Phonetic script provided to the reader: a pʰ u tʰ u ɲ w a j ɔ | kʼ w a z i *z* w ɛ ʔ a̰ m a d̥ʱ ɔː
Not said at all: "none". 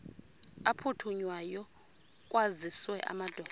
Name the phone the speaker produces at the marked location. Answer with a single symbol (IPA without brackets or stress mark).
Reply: s